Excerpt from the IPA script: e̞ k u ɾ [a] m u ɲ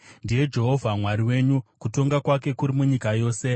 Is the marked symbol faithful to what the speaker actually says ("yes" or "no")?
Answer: no